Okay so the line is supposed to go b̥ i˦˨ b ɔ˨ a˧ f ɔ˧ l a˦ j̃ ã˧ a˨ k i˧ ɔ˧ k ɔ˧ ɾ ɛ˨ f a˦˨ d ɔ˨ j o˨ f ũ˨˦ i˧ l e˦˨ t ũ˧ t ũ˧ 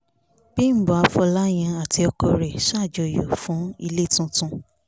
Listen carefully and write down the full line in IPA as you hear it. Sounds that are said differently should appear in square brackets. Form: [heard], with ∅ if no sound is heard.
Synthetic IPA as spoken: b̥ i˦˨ b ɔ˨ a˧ f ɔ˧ l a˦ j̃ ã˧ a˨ [t] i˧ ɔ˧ k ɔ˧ ɾ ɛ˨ [ʃ] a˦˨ [d͡ʒ] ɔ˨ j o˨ f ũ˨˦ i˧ l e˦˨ t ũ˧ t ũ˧